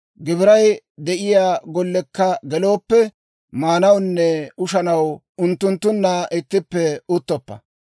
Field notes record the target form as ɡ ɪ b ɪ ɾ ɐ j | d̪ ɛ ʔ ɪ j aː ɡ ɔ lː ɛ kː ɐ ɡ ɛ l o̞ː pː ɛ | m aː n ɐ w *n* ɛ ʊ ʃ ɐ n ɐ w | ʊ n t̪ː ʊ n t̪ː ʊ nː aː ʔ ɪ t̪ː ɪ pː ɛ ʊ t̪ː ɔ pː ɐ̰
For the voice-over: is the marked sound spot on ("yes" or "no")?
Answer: no